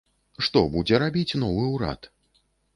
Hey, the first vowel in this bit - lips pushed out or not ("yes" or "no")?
yes